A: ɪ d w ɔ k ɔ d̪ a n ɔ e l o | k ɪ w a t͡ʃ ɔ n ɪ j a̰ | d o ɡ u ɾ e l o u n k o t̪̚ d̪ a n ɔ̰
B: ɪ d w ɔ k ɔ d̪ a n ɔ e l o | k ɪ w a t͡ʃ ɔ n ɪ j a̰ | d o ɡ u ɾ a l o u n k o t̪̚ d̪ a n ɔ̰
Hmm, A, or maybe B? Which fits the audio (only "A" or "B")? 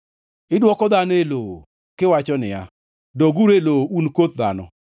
A